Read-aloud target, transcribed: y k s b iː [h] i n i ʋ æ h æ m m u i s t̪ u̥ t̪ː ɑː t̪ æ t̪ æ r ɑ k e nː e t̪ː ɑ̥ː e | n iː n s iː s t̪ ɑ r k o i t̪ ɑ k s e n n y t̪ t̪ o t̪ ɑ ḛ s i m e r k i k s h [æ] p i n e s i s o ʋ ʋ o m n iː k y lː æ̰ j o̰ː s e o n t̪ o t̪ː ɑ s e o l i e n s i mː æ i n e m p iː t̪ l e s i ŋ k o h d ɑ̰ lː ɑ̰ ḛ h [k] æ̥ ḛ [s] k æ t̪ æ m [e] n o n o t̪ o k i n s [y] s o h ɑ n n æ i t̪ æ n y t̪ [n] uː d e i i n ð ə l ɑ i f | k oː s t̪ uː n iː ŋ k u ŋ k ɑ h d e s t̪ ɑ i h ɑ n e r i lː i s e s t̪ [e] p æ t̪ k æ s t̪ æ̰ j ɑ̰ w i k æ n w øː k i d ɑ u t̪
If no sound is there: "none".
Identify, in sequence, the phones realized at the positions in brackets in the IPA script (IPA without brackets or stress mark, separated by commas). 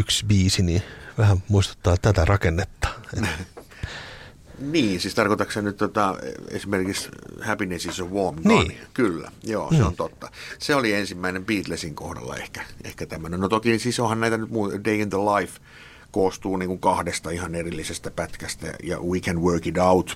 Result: s, æ, k, h, æ, i, m, æ